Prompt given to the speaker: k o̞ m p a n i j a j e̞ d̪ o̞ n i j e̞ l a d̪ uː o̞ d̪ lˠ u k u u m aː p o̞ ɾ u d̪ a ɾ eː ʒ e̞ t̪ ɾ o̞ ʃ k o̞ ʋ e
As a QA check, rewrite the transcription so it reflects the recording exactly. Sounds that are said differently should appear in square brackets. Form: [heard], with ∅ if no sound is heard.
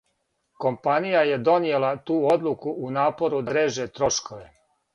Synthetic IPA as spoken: k o̞ m p a n i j a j e̞ d̪ o̞ n i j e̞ l a [t̪] uː o̞ d̪ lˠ u k u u [n] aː p o̞ ɾ u d̪ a ɾ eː ʒ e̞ t̪ ɾ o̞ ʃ k o̞ ʋ e